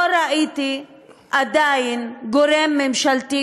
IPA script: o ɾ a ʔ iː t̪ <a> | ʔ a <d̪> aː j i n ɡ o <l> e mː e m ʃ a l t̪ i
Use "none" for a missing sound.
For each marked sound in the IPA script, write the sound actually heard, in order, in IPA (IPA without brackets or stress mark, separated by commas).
i, d̪, ɾ